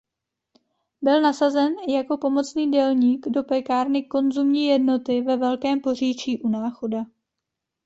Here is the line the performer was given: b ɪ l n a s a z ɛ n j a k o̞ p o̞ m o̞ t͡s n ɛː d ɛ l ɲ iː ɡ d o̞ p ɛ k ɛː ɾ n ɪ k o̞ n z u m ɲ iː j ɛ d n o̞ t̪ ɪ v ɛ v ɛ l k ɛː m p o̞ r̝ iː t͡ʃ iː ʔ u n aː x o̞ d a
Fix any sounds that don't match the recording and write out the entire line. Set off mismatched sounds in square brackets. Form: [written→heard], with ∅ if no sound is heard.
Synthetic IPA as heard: b ɪ l n a s a z ɛ n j a k o̞ p o̞ m o̞ t͡s n [ɛː→iː] d ɛ l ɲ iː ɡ d o̞ p ɛ k [ɛː→aː] ɾ n ɪ k o̞ n z u m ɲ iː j ɛ d n o̞ t̪ ɪ v ɛ v ɛ l k ɛː m p o̞ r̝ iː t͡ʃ iː ʔ u n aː x o̞ d a